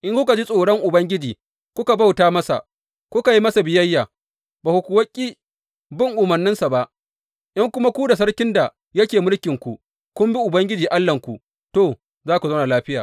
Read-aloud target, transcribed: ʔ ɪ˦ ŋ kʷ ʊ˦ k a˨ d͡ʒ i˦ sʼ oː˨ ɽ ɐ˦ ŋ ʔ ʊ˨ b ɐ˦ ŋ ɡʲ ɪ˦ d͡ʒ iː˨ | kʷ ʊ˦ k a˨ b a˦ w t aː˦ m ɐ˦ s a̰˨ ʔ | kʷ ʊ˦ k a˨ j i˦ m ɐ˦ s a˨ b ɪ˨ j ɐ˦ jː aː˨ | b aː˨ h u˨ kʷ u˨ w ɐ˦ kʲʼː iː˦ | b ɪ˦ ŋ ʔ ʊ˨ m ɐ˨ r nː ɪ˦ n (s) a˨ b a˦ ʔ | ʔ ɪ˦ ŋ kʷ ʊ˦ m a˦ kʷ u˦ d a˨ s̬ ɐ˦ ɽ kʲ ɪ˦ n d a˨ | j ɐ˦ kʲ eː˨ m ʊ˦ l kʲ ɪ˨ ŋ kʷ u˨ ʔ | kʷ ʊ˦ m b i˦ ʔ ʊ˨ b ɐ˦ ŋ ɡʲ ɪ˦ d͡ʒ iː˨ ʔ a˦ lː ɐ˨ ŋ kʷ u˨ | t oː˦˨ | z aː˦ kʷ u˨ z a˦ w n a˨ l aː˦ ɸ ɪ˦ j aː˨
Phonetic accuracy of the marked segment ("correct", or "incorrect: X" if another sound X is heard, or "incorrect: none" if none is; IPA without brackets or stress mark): correct